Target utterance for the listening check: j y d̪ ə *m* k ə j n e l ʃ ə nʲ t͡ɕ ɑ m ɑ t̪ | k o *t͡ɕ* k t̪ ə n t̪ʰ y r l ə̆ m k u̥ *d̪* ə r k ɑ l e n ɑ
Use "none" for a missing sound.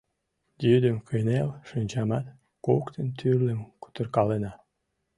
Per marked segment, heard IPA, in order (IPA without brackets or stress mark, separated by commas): m, none, t̪